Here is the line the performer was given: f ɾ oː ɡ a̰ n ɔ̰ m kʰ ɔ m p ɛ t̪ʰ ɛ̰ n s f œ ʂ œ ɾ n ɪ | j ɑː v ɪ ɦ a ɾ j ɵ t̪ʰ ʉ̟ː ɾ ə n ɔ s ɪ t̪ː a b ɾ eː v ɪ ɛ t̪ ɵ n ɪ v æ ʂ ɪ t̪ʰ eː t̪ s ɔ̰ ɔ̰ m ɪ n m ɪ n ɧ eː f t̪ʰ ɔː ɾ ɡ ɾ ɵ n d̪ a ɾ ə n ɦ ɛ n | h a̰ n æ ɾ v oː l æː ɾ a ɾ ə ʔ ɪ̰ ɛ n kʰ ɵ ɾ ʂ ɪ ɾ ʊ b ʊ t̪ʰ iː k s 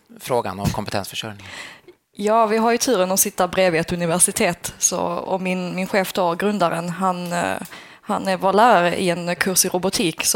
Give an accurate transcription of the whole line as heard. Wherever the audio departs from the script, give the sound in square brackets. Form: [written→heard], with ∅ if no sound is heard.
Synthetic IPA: f ɾ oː ɡ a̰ n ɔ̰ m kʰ ɔ m p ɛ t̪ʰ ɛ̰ n s f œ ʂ œ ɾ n ɪ | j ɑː v ɪ ɦ a ɾ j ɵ t̪ʰ ʉ̟ː ɾ ə n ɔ s ɪ t̪ː a b ɾ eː v ɪ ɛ t̪ ɵ n ɪ v æ ʂ ɪ t̪ʰ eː t̪ s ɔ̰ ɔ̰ m ɪ n m ɪ n ɧ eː f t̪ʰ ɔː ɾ ɡ ɾ ɵ n d̪ a ɾ ə n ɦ [ɛ→a] n | h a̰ n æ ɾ v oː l æː ɾ a ɾ ə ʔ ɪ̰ ɛ n kʰ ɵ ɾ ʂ ɪ ɾ ʊ b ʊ t̪ʰ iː k s